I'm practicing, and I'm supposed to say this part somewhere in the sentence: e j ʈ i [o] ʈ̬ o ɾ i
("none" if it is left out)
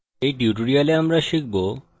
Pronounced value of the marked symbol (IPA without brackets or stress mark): u